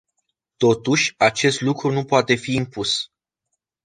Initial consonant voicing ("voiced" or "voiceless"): voiceless